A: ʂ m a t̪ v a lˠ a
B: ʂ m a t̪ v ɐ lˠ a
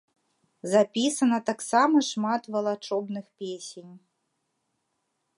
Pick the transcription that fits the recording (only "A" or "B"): B